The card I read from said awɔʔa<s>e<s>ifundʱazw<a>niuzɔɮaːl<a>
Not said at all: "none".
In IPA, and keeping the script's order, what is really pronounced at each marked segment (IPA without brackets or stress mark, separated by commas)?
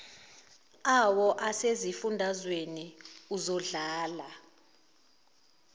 s, z, e, a